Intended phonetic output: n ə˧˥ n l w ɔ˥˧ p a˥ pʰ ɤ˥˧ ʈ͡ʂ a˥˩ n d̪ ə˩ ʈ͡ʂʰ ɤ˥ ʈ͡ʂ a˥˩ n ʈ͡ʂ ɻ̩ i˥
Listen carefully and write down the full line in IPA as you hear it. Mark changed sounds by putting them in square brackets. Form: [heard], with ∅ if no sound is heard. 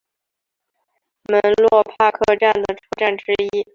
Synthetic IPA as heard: [m] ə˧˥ n l w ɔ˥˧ [pʰ] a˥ [kʰ] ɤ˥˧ ʈ͡ʂ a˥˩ n d̪ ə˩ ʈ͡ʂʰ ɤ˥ ʈ͡ʂ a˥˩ n ʈ͡ʂ ɻ̩ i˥